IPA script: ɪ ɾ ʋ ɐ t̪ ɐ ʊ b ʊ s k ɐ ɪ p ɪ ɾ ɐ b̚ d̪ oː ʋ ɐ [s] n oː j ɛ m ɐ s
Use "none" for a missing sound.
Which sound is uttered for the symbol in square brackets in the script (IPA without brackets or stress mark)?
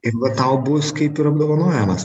none